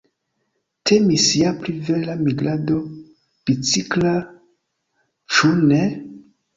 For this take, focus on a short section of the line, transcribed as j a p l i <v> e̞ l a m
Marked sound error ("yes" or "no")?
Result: no